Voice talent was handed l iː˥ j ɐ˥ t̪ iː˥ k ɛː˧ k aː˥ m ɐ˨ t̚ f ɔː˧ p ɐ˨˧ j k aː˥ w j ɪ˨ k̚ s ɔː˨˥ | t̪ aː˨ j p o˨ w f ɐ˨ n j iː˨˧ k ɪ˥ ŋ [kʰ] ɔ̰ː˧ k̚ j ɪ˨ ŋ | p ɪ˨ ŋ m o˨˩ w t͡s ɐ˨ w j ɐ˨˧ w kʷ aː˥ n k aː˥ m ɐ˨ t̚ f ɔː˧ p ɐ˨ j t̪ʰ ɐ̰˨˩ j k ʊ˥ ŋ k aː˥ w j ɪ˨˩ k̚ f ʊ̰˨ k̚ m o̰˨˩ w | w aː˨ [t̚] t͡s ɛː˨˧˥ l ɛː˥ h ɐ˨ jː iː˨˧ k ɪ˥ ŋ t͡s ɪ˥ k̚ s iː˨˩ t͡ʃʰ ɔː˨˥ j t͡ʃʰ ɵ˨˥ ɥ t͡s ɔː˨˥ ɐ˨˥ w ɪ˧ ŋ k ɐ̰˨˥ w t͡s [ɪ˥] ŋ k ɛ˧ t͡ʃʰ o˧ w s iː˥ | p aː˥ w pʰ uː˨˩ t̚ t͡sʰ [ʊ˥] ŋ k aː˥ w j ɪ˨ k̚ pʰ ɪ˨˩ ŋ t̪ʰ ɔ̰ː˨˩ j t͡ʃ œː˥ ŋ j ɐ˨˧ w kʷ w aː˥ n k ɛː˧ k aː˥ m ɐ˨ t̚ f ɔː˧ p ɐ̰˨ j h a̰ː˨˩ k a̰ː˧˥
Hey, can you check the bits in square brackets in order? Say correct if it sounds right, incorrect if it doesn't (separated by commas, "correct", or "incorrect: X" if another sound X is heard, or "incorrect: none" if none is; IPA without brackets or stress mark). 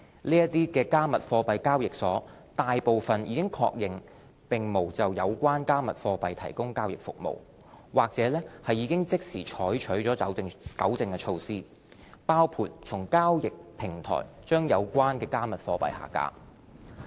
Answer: correct, incorrect: k̚, incorrect: ɪ˨, incorrect: ʊ˨˩